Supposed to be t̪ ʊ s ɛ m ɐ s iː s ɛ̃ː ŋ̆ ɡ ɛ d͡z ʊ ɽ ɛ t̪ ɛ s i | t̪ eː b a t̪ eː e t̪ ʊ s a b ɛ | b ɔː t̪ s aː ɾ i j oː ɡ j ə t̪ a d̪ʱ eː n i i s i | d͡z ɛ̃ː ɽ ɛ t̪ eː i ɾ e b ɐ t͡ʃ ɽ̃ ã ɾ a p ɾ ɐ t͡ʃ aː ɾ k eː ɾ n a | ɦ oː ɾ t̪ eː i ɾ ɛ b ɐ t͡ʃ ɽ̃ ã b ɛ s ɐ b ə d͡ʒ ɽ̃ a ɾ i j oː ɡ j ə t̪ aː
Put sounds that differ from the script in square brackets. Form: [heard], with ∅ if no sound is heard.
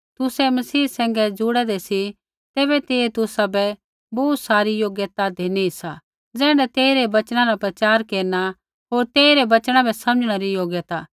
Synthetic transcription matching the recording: t̪ ʊ s ɛ m ɐ s iː s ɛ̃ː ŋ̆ ɡ ɛ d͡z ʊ ɽ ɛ [d̪] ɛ s i | t̪ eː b [ɛ] t̪ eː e t̪ ʊ s a b ɛ | b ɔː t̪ s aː ɾ i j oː ɡ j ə t̪ a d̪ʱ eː n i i s [a] | d͡z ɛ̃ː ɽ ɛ t̪ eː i ɾ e b ɐ t͡ʃ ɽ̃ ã ɾ a p ɾ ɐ t͡ʃ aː ɾ k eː ɾ n a | ɦ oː ɾ t̪ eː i ɾ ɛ b ɐ t͡ʃ ɽ̃ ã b ɛ s ɐ [m] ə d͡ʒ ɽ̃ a ɾ i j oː ɡ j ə t̪ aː